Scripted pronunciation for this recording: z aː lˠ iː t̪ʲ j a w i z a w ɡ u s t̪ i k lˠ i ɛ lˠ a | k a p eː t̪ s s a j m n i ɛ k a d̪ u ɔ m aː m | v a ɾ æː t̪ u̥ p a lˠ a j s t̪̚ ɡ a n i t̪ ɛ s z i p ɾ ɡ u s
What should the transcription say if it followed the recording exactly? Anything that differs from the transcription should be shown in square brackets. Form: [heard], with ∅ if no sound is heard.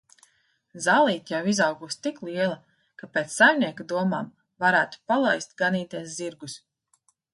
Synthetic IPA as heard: z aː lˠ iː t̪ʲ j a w i z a w ɡ u s t̪ i k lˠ i ɛ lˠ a | k a p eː t̪ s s a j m n i ɛ k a d̪ u ɔ m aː m | v a ɾ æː t̪ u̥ p a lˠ a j s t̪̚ ɡ a n [iː] t̪ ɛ s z i [∅] ɾ ɡ u s